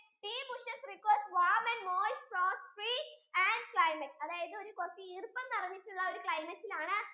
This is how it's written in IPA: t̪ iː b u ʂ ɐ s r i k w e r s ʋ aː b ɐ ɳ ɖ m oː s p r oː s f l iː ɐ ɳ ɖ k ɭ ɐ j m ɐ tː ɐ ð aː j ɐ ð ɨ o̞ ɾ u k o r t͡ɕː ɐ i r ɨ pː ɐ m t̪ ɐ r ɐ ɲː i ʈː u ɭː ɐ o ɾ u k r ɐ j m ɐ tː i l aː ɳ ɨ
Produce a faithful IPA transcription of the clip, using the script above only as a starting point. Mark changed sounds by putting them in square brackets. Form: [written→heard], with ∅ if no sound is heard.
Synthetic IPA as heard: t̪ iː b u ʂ ɐ s r i k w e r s ʋ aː [b→m] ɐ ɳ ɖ m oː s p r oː s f [l→r] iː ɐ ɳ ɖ k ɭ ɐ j m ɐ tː ɐ ð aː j ɐ ð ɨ o̞ ɾ u k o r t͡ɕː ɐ i r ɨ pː ɐ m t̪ ɐ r ɐ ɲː i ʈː u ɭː ɐ o ɾ u k [r→ɭ] ɐ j m ɐ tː i l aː ɳ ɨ